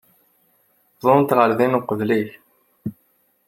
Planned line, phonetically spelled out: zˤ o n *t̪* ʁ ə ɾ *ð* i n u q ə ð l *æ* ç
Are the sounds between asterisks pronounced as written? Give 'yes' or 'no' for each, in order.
yes, yes, no

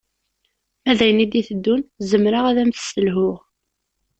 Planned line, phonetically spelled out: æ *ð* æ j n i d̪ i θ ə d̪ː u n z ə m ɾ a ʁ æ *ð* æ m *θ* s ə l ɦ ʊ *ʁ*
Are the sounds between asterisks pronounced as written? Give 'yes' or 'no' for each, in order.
yes, yes, yes, yes

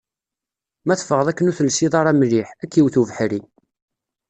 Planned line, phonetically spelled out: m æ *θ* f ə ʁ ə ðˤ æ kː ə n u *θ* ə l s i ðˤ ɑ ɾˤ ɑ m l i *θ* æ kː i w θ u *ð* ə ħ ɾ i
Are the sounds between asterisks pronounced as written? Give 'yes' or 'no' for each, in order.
yes, yes, no, no

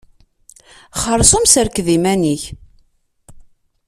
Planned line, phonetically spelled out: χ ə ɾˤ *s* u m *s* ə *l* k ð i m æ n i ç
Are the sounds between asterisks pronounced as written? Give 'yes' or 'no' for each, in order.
yes, yes, no

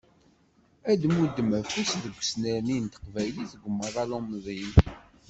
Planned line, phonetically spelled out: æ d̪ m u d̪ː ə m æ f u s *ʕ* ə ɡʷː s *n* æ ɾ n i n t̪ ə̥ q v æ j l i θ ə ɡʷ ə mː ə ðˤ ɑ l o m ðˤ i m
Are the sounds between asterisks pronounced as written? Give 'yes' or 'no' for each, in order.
no, yes

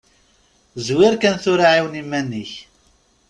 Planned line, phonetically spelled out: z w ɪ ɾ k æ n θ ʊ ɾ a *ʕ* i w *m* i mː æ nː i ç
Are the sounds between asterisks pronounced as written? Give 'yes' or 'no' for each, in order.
yes, no

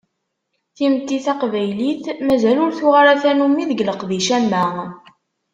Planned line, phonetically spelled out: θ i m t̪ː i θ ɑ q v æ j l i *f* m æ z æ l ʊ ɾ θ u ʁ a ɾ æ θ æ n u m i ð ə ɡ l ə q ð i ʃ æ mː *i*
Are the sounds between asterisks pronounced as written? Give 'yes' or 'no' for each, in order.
no, no

